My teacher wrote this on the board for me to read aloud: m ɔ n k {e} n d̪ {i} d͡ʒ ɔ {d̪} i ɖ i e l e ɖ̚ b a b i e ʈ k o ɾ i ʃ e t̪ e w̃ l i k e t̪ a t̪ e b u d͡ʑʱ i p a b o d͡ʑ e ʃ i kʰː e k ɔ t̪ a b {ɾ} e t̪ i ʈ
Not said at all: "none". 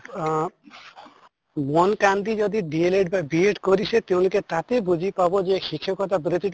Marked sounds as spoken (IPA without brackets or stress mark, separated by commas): a, i, d̪, ɾ